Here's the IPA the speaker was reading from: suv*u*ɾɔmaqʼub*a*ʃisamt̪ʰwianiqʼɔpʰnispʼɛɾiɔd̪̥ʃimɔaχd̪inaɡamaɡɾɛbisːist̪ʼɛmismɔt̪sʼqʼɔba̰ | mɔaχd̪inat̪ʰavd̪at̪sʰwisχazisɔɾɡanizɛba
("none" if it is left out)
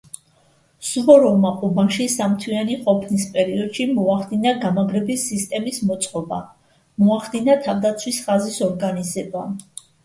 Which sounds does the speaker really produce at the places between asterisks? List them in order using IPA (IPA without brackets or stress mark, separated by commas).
ɔ, a